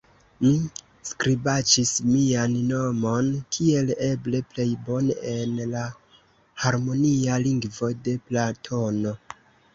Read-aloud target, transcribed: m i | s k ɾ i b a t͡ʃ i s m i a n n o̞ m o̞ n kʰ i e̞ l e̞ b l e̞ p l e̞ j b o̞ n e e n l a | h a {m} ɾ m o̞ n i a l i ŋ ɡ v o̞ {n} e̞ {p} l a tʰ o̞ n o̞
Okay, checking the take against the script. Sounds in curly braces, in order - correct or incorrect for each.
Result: incorrect, incorrect, correct

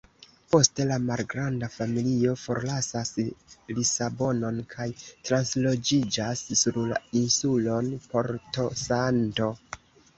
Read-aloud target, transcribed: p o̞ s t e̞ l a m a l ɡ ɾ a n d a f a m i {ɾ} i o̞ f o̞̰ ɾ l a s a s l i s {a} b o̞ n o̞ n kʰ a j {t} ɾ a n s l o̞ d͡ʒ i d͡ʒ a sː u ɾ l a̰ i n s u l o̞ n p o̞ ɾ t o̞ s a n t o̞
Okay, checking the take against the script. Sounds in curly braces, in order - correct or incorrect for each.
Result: incorrect, correct, correct

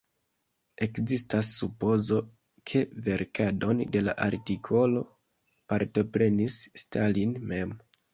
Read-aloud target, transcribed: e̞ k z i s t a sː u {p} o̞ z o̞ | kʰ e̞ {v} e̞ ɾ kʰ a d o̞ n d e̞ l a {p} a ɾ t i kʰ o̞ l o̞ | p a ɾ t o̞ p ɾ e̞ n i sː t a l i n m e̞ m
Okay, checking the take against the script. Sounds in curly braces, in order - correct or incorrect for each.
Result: correct, correct, incorrect

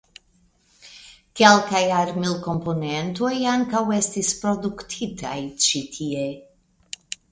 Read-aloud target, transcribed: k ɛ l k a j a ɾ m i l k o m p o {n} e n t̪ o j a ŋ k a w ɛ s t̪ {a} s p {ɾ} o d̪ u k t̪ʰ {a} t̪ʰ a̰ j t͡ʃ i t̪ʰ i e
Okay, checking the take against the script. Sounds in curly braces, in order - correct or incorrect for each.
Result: correct, incorrect, correct, incorrect

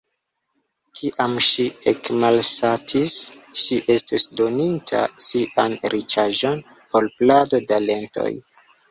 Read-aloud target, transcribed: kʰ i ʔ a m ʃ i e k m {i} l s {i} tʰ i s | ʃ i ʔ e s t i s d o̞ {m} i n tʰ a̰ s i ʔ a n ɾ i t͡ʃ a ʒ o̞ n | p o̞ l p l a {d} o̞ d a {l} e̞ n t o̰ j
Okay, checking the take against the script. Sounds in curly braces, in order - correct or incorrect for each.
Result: incorrect, incorrect, incorrect, correct, correct

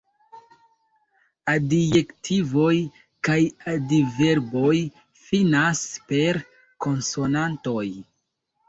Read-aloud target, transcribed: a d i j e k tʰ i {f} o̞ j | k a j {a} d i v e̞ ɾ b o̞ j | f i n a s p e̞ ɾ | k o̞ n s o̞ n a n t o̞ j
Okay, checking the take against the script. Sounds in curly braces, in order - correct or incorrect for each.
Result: incorrect, correct

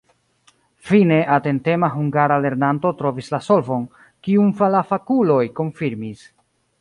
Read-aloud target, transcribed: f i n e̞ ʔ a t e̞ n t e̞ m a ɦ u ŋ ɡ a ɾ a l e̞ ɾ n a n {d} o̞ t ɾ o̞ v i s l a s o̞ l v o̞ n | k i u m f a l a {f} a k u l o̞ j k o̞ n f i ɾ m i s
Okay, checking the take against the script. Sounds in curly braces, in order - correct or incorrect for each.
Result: incorrect, correct

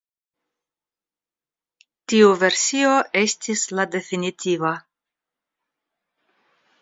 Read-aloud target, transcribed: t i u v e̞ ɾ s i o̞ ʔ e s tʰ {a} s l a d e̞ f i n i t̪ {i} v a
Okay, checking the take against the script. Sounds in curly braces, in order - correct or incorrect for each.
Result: incorrect, correct

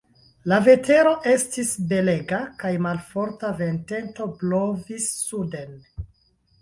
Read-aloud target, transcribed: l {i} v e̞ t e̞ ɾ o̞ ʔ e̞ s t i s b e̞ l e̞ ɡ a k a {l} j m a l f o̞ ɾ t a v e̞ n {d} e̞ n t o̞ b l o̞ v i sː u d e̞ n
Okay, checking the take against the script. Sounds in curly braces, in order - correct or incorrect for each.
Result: incorrect, incorrect, incorrect

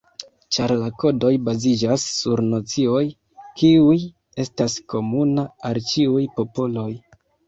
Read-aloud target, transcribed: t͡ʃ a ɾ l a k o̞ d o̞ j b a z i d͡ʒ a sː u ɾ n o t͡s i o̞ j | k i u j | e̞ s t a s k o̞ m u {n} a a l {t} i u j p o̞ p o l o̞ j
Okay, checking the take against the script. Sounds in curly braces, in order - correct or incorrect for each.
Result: correct, incorrect

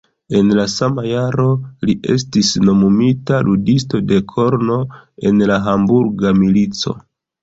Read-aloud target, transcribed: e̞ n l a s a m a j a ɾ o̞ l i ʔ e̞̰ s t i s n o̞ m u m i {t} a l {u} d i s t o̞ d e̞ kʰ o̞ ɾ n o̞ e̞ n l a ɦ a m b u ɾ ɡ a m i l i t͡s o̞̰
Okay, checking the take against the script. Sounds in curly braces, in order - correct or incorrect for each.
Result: correct, correct

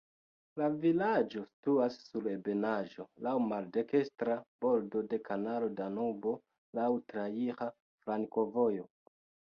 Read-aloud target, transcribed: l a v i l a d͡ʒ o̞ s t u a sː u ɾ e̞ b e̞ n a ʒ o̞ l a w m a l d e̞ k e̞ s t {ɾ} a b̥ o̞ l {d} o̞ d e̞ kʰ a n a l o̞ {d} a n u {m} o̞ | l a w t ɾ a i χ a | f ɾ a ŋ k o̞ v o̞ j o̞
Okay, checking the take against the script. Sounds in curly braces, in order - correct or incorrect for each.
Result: correct, correct, correct, incorrect

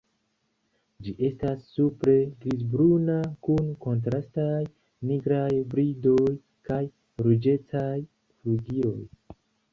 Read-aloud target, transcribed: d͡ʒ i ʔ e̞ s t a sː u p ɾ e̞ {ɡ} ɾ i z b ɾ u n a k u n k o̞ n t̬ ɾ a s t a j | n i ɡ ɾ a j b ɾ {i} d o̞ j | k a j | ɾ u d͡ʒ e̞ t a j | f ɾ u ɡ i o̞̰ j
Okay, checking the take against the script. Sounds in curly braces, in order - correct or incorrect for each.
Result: correct, correct

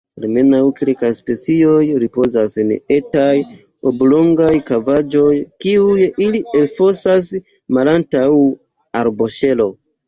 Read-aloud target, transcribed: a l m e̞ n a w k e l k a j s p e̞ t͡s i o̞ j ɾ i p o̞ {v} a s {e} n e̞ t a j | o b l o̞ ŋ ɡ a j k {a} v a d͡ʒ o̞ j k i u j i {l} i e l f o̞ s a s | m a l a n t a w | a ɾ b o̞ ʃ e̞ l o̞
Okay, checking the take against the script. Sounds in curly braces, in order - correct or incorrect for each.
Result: incorrect, correct, correct, correct

